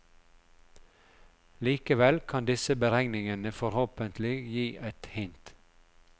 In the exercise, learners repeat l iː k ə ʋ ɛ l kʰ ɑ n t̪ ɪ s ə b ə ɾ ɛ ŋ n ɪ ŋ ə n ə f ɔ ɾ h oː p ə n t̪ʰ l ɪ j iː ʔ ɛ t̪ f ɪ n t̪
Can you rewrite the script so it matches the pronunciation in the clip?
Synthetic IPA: l iː k ə ʋ ɛ l kʰ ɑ n d̪ ɪ s ə b ə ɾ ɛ ŋ n ɪ ŋ ə n ə f ɔ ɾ h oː p ə n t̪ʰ l ɪ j iː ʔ ɛ t̪ h ɪ n t̪